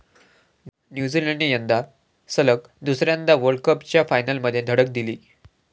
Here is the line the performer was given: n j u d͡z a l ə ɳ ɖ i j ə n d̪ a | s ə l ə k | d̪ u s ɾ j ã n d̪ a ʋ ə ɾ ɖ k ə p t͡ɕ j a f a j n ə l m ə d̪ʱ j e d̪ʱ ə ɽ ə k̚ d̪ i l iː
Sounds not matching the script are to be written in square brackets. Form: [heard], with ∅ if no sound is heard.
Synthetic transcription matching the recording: n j u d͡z [i] l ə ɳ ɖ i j ə n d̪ a | s ə l ə k | d̪ u s ɾ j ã n d̪ a ʋ ə ɾ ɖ k ə p t͡ɕ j a f a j n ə l m ə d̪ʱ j e d̪ʱ ə ɽ ə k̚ d̪ i l iː

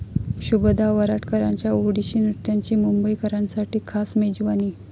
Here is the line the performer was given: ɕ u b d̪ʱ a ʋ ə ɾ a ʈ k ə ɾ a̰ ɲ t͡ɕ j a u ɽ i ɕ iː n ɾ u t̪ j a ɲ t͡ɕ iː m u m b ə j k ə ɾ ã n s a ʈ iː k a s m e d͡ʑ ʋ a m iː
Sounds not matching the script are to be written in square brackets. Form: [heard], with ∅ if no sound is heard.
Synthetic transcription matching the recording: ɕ u b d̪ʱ a ʋ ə ɾ a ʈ k ə ɾ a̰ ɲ t͡ɕ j a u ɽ i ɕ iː n ɾ u t̪ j a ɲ t͡ɕ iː m u m b ə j k ə ɾ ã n s a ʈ iː [kʰ] a s m e d͡ʑ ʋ a [n] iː

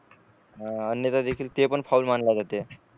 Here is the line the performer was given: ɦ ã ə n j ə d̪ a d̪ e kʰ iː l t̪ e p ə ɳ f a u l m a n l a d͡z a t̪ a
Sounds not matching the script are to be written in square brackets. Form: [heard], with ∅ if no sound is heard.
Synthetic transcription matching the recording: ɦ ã ə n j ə [t̪] a d̪ e kʰ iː l t̪ e p ə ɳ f a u l m a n l a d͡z a t̪ [e]

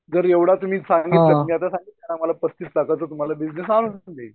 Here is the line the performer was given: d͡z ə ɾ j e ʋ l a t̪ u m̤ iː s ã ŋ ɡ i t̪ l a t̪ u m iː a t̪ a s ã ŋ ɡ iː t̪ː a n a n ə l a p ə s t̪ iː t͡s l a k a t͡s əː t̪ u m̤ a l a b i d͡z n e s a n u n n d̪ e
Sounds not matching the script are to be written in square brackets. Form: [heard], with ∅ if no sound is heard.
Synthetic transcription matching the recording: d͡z ə ɾ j e ʋ [ɽ] a t̪ u m̤ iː s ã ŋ ɡ i t̪ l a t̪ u m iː a t̪ a s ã ŋ ɡ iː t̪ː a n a [m] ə l a p ə s t̪ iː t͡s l a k a t͡s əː t̪ u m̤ a l a b i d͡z n e s a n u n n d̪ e

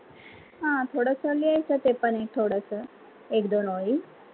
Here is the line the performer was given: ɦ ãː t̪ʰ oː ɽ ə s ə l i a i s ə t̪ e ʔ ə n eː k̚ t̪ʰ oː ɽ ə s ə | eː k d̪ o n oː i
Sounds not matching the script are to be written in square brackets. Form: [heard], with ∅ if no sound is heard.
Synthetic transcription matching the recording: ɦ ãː t̪ʰ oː ɽ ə s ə l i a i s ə t̪ e [p] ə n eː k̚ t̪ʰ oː ɽ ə s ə | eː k d̪ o n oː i

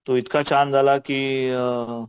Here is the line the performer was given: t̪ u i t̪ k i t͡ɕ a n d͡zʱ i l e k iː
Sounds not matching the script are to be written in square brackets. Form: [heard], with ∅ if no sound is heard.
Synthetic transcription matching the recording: t̪ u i t̪ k [a] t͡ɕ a n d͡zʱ [a] l [a] k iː

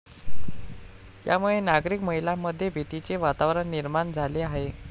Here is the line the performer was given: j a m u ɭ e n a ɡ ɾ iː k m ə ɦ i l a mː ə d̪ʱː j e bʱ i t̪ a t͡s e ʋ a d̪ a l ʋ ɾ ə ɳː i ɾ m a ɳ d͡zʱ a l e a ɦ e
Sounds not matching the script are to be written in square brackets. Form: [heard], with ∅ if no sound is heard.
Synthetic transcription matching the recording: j a m u ɭ e n a ɡ ɾ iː k m ə ɦ i l a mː ə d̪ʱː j e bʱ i t̪ [i] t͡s e ʋ a [t̪] a [∅] ʋ ɾ ə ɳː i ɾ m a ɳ d͡zʱ a l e a ɦ e

